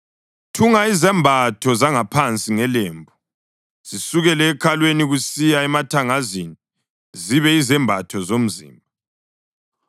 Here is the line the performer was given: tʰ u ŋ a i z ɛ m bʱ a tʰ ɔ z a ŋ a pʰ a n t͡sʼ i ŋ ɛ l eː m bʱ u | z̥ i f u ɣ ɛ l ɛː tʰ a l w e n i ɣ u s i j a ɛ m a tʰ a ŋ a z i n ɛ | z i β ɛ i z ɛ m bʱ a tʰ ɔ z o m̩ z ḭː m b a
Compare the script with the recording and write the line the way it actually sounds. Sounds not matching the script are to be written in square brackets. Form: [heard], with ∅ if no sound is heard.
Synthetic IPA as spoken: tʰ u ŋ a i z ɛ m bʱ a tʰ ɔ z a ŋ a pʰ a n t͡sʼ i ŋ ɛ l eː m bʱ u | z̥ i [s] u ɣ ɛ l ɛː [kʰ] a l w e n i ɣ u s i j a ɛ m a tʰ a ŋ a z i n [i] | z i β ɛ i z ɛ m bʱ a tʰ ɔ z o m̩ z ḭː m b a

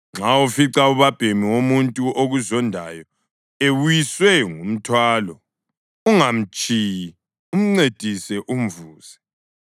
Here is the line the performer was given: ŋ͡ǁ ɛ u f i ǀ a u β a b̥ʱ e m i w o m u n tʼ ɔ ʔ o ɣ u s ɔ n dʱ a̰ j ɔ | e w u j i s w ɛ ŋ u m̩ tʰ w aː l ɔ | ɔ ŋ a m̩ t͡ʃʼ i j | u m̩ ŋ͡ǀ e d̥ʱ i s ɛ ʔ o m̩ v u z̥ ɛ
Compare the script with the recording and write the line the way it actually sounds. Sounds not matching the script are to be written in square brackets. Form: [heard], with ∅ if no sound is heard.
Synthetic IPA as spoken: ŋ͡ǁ [a] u f i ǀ a u β a b̥ʱ e m i w o m u n tʼ [u] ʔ o ɣ u [z] ɔ n dʱ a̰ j ɔ | e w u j i s w ɛ ŋ u m̩ tʰ w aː l ɔ | [u] ŋ a m̩ t͡ʃʼ i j | u m̩ ŋ͡ǀ e d̥ʱ i s ɛ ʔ [u] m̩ v [uː] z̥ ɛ

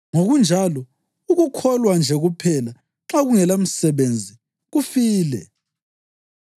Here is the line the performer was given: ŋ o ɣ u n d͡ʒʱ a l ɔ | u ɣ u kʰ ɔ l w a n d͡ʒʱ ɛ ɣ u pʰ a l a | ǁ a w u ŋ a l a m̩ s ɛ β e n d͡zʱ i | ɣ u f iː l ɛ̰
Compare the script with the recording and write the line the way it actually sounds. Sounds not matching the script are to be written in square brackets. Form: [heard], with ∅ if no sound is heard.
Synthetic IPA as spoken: ŋ o ɣ u n d͡ʒʱ a l ɔ | u ɣ u kʰ ɔ l w a n d͡ʒʱ ɛ ɣ u pʰ [ɛ] l a | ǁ a [ɣ] u ŋ [ɛ] l a m̩ s ɛ β e n d͡zʱ i | ɣ u f iː l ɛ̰

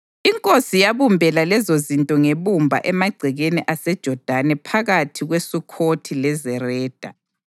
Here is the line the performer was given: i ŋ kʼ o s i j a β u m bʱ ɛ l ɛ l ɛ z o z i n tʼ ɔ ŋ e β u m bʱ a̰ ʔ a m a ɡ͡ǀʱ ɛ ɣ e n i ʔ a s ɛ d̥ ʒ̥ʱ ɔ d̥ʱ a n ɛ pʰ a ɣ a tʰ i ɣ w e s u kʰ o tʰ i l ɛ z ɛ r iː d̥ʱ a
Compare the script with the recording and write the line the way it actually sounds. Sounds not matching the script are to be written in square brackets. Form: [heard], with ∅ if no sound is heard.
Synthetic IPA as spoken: i ŋ kʼ o s i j a β u m bʱ ɛ l [a] l ɛ z o z i n tʼ ɔ ŋ e β u m bʱ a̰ ʔ [ɛ] m a ɡ͡ǀʱ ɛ ɣ e n i ʔ a s ɛ d̥ ʒ̥ʱ ɔ d̥ʱ a n ɛ pʰ a ɣ a tʰ i ɣ w e s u kʰ o tʰ i l ɛ z ɛ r [ɛː] d̥ʱ a

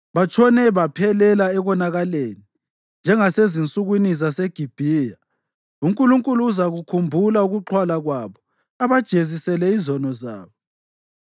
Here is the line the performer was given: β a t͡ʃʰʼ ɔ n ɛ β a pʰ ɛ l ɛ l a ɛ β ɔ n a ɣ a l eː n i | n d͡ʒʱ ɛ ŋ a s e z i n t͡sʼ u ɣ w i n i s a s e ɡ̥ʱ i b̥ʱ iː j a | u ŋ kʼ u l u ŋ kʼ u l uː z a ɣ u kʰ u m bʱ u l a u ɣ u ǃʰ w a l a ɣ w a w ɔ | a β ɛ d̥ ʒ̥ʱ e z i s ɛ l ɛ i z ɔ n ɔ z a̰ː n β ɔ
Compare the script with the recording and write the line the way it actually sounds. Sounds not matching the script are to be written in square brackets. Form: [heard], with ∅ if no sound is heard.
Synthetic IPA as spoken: β a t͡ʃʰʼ ɔ n ɛ β a pʰ ɛ l ɛ l a ɛ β ɔ n a ɣ a l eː n i | n d͡ʒʱ ɛ ŋ a s e z i n t͡sʼ u ɣ w i n i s a s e ɡ̥ʱ i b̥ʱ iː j a | u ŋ kʼ u l u ŋ kʼ u l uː z a ɣ u kʰ u m bʱ u l a u ɣ u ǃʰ w a l a ɣ w a [β] ɔ | a β [a] d̥ ʒ̥ʱ e z i s ɛ l ɛ i z ɔ n ɔ z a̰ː [∅] β ɔ

